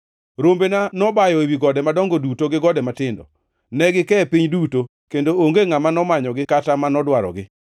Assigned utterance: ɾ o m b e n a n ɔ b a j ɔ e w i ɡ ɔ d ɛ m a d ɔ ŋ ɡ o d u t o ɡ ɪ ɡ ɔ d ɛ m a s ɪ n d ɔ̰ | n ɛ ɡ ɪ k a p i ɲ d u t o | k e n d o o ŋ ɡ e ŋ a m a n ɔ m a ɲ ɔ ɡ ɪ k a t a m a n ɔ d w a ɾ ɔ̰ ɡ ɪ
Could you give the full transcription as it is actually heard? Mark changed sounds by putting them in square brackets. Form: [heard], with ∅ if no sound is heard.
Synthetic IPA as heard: ɾ o m b e n a n ɔ b a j ɔ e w i ɡ ɔ d ɛ m a d ɔ ŋ ɡ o d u t o ɡ ɪ ɡ ɔ d ɛ m a [t] ɪ n d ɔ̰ | n ɛ ɡ ɪ k [ɛ] p i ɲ d u t o | k e n d o o ŋ ɡ e ŋ a m a n ɔ m a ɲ ɔ ɡ ɪ k a t a m a n ɔ d w a ɾ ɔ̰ ɡ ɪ